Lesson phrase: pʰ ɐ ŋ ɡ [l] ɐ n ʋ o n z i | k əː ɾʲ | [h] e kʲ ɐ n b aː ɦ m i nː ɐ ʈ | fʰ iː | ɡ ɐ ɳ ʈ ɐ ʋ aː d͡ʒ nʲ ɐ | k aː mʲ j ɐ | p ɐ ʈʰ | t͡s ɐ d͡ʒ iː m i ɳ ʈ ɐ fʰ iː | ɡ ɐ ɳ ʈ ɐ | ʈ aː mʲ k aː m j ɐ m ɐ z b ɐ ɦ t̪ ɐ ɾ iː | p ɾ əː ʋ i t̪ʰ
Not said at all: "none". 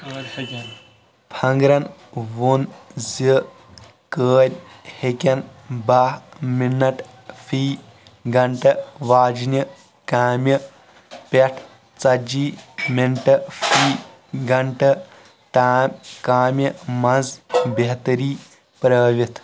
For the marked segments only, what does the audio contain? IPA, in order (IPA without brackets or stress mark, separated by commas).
ɾ, h